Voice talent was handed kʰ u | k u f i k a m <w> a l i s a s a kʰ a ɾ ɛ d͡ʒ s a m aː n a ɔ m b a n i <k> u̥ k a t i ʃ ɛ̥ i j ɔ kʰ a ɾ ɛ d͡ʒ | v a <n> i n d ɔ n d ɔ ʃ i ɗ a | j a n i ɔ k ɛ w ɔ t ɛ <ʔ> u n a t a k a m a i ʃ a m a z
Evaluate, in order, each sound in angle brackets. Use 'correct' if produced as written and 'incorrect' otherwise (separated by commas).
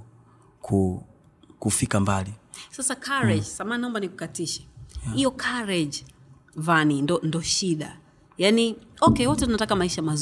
incorrect, correct, correct, incorrect